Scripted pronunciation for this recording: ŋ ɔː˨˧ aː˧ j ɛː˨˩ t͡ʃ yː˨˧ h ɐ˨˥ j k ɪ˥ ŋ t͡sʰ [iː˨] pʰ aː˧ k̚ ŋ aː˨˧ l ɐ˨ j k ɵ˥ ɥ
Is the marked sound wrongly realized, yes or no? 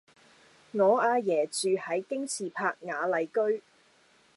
no